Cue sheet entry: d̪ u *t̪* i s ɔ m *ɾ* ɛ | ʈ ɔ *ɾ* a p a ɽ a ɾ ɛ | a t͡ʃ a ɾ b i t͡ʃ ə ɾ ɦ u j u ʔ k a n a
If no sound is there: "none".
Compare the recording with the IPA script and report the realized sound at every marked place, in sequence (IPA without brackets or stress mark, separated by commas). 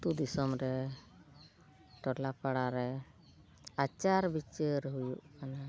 d̪, ɾ, l